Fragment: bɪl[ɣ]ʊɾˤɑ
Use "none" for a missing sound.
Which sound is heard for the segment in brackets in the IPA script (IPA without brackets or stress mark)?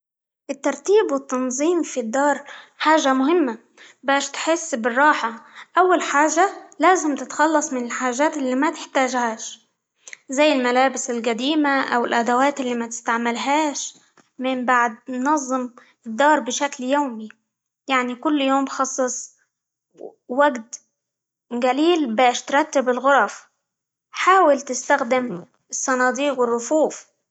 ɣ